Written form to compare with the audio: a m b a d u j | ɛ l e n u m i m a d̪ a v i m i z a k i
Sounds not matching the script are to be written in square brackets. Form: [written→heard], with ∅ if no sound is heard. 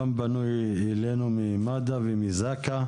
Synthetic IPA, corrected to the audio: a m b a [d→n] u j | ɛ l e n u m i m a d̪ a v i m i z a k [i→a]